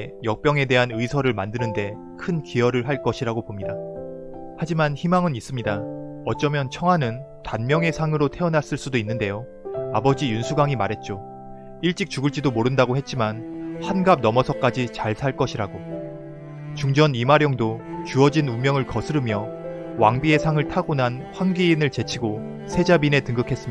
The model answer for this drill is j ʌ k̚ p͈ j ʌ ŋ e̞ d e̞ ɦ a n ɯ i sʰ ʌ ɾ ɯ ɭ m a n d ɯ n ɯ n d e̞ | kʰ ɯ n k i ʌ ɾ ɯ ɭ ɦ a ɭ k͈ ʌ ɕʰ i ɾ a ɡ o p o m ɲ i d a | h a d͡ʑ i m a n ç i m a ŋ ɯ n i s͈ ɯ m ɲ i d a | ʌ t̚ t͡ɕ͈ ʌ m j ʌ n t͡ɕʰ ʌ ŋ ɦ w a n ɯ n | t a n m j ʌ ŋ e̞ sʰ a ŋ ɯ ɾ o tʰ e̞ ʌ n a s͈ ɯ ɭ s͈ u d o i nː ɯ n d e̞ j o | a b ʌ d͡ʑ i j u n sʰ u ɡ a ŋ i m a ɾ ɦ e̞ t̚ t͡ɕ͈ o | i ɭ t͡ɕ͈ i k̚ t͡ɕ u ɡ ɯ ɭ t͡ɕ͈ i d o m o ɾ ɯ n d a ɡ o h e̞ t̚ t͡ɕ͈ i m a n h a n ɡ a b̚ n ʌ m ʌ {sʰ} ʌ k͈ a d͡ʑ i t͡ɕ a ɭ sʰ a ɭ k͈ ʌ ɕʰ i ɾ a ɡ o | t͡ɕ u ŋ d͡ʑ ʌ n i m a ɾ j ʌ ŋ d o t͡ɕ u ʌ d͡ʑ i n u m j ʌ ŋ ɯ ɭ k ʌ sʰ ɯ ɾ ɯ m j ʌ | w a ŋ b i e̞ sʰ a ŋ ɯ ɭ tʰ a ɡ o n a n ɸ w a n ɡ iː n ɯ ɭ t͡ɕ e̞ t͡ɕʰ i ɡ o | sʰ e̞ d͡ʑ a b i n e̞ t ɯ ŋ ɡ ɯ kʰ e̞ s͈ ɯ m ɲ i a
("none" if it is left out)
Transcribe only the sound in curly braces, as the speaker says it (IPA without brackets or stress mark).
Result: sʰ